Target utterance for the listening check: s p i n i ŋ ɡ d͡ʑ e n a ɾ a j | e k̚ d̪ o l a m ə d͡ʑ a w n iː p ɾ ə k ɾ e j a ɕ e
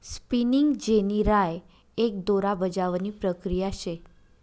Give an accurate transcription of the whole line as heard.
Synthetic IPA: s p i n i ŋ ɡ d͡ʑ e n i ɾ a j | e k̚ d̪ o ɾ a b ə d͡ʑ a ʋ n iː p ɾ ə k ɾ i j a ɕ e